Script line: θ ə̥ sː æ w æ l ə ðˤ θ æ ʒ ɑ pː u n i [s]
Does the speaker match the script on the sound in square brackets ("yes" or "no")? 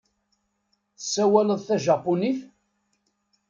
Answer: no